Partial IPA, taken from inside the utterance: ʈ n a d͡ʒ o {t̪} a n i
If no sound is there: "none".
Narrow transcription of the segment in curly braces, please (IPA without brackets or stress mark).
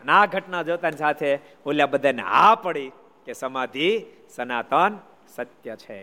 t̪